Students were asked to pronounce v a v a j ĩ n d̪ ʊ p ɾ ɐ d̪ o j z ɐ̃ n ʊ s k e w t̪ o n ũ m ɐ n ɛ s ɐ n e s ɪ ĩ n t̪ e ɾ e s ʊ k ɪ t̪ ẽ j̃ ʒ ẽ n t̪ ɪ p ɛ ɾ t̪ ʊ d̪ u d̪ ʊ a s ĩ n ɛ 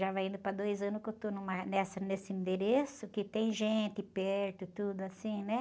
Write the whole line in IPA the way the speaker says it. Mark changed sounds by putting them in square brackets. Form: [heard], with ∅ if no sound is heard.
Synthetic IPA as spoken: [ʒ] a v a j ĩ n d̪ ʊ p ɾ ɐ d̪ o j z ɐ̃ n ʊ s k e w t̪ o n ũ m ɐ n ɛ s ɐ n e s ɪ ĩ n [d̪] e ɾ e s ʊ k ɪ t̪ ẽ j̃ ʒ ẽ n t̪ ɪ p ɛ ɾ t̪ ʊ [t̪] u d̪ ʊ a s ĩ n ɛ